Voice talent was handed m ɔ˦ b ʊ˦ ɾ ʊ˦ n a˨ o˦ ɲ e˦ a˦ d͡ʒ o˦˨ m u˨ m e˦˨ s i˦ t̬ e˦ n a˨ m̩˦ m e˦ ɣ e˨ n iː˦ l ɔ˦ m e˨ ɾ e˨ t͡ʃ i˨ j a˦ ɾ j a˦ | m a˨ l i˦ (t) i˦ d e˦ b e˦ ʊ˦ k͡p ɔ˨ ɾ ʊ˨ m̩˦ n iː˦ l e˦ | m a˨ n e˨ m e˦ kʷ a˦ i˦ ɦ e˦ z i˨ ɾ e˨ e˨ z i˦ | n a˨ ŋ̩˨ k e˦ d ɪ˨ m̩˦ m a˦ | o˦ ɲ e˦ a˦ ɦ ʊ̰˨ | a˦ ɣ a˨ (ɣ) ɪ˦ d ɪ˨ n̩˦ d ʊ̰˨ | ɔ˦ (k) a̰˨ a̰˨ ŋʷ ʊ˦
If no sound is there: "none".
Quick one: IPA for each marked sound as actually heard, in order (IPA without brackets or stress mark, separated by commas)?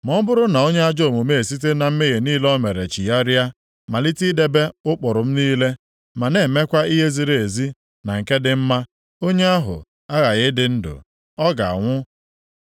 t, ɣ, ɡ